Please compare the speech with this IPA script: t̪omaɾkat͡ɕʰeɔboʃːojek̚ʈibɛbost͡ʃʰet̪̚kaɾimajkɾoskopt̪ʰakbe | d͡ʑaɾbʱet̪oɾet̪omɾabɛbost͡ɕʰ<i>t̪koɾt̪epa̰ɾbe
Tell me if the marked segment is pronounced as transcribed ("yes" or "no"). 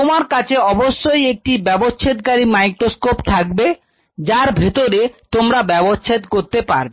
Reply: no